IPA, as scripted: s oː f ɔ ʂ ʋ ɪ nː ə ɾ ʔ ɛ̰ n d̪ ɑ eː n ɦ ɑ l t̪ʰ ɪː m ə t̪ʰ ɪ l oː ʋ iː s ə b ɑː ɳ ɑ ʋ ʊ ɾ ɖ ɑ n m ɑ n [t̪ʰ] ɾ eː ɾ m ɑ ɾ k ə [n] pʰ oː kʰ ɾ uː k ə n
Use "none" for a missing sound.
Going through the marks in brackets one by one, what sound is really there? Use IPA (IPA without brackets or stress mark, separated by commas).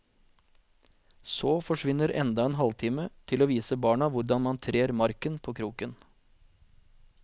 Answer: t̪ʰ, n